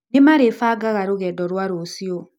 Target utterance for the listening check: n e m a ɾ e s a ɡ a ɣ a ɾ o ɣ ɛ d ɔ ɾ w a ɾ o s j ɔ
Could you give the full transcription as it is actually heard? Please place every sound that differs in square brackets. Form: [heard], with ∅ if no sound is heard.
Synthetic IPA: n e m a ɾ e [f] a ɡ a ɣ a ɾ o ɣ ɛ d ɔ ɾ w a ɾ o s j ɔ

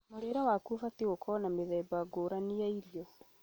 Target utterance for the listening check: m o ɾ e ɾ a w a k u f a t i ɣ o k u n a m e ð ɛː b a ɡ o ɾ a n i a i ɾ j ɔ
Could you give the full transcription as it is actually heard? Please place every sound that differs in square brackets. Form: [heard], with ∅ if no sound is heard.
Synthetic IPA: m o ɾ e ɾ a w a k u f a t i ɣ o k [ɔ] n a m e ð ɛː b a ɡ o ɾ a n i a i ɾ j ɔ

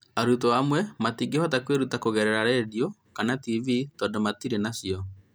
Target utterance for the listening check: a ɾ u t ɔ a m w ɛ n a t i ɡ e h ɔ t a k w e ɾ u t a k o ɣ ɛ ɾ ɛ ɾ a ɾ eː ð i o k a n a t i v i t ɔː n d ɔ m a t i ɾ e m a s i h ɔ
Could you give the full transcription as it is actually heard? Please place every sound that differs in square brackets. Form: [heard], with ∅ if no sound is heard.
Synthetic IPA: a ɾ u t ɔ a m w ɛ [m] a t i ɡ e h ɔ t a k w e ɾ u t a k o ɣ ɛ ɾ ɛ ɾ a ɾ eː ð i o k a n a t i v i t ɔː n d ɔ m a t i ɾ e [n] a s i [∅] ɔ

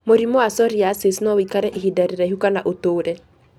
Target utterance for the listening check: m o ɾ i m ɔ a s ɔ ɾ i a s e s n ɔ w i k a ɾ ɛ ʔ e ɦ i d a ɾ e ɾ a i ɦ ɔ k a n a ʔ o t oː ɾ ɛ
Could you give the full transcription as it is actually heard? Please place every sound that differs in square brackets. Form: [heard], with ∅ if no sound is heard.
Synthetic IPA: m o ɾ i m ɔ a s ɔ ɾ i a s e s n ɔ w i k a ɾ ɛ ʔ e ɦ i d a ɾ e ɾ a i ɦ [u] k a n a ʔ o t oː ɾ ɛ

